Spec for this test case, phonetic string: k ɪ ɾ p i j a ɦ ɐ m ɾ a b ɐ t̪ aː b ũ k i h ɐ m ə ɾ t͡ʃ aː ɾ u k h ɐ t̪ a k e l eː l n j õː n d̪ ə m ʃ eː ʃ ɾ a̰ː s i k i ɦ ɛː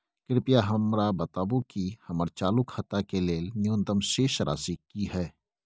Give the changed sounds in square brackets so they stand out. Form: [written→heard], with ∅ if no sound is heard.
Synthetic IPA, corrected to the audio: k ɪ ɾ p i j a ɦ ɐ m ɾ a b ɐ t̪ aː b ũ k i h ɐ m ə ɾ t͡ʃ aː [ɾ→l] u k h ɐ t̪ a k e l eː l n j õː n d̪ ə m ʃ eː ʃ ɾ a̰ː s i k i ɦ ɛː